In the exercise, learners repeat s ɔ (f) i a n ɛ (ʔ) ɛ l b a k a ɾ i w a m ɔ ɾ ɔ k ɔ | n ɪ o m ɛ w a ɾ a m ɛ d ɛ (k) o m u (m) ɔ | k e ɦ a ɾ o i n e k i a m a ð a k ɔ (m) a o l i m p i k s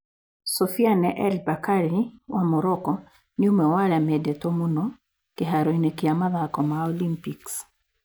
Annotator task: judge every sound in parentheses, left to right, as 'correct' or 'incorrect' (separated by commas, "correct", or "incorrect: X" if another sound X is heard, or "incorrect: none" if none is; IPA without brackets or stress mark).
correct, correct, incorrect: t, incorrect: n, correct